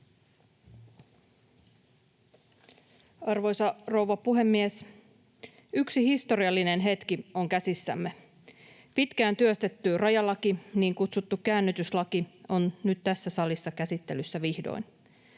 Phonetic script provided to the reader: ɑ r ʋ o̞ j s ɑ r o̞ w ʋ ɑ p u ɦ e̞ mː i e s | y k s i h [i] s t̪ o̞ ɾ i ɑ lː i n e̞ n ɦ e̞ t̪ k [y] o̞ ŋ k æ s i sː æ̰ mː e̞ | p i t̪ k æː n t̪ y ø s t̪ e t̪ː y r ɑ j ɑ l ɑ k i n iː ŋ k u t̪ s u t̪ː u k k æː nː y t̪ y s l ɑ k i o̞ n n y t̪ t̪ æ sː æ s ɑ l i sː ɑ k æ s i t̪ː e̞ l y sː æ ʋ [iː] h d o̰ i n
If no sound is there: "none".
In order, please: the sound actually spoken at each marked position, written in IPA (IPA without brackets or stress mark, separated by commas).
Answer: i, i, i